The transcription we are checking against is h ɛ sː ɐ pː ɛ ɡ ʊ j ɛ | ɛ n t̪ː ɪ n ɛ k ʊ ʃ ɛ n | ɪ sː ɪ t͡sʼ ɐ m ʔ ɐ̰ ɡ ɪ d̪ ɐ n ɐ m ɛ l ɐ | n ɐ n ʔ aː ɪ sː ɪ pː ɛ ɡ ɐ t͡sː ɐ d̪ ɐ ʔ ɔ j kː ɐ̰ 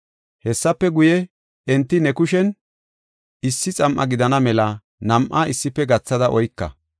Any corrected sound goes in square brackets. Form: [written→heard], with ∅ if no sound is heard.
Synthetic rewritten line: h ɛ sː ɐ pː ɛ ɡ ʊ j ɛ | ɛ n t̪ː ɪ n ɛ k ʊ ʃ ɛ n | ɪ sː ɪ t͡sʼ ɐ m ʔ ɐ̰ ɡ ɪ d̪ ɐ n ɐ m ɛ l ɐ | n ɐ [n→m] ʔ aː ɪ sː ɪ pː ɛ ɡ ɐ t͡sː ɐ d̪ ɐ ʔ ɔ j kː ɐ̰